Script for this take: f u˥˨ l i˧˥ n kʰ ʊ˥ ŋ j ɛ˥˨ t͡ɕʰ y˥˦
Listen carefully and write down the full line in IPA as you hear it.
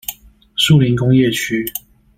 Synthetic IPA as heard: s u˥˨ l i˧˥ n k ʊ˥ ŋ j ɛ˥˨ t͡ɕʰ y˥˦